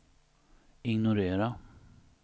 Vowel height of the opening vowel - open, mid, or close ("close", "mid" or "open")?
close